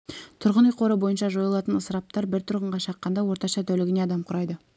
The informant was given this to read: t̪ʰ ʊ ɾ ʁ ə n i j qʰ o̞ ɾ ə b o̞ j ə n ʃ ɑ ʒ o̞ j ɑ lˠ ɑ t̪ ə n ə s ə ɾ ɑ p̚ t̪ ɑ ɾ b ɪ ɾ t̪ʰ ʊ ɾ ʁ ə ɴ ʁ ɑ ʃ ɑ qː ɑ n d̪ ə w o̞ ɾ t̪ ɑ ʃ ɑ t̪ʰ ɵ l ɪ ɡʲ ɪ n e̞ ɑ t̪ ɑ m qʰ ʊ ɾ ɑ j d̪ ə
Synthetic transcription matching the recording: t̪ʰ ʊ ɾ ʁ ə n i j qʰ o̞ ɾ ə b o̞ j ə n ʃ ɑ ʒ o̞ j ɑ lˠ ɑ t̪ ə n ə s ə ɾ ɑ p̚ t̪ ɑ ɾ b ɪ ɾ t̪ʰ ʊ ɾ ʁ ə ɴ ʁ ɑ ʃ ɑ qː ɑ n d̪ ɑ w o̞ ɾ t̪ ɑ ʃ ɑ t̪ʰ ɵ l ɪ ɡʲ ɪ n e̞ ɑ d̪ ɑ m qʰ ʊ ɾ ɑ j d̪ ə